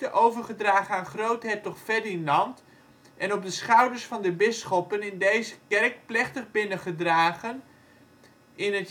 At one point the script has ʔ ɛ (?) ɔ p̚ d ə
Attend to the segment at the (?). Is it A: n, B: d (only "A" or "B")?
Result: A